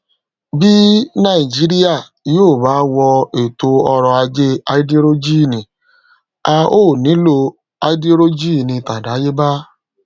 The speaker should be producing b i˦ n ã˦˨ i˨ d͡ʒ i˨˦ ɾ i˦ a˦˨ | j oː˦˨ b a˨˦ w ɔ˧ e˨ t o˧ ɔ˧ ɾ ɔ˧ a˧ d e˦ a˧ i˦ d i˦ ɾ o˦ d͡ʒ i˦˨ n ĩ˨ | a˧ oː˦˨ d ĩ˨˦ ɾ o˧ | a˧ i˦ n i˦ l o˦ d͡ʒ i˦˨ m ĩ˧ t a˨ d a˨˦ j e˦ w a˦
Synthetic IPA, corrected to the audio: b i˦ n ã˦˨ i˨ d͡ʒ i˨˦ ɾ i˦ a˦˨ | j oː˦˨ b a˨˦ w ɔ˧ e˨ t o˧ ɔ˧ ɾ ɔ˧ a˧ d͡ʒ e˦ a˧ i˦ d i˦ ɾ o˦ d͡ʒ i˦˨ n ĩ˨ | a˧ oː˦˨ n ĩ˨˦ l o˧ | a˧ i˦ d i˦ ɾ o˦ d͡ʒ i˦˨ n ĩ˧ t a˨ d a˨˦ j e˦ b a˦

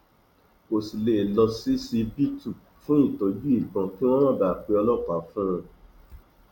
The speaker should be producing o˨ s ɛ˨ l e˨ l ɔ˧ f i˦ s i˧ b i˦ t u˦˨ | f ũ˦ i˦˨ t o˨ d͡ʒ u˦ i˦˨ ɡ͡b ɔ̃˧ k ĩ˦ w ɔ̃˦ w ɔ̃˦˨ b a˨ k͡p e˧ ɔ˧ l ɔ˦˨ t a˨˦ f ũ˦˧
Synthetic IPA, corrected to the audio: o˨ s i˨ l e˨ l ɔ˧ s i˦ s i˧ b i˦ t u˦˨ | f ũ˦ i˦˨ t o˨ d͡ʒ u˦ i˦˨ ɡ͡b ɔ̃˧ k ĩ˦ w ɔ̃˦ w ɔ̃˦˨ b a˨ k͡p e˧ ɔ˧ l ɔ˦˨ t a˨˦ f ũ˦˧

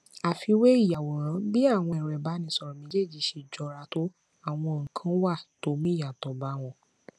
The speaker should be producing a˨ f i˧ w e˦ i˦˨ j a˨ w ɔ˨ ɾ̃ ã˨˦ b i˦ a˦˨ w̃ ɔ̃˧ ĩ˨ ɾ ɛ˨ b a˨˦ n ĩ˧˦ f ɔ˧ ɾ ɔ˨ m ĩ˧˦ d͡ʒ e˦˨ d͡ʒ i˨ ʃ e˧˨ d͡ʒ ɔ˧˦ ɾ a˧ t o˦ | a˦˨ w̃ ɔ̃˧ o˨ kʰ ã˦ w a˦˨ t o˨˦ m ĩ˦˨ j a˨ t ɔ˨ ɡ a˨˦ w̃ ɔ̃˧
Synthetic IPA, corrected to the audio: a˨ f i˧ w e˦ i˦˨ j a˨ w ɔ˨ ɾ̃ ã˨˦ b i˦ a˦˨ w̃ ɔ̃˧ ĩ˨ ɾ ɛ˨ b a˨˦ n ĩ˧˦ s ɔ˧ ɾ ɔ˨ m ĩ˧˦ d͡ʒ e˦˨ d͡ʒ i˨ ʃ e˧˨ d͡ʒ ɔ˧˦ ɾ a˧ t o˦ | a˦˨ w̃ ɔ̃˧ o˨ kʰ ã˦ w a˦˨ t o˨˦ m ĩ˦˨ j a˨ t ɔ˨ b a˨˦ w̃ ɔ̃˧

